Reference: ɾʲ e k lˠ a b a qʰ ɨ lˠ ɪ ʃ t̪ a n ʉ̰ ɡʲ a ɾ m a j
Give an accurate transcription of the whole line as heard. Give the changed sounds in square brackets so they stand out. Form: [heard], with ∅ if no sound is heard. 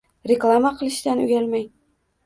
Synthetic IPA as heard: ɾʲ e k lˠ a [m] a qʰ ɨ lˠ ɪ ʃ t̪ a n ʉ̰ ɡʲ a [l] m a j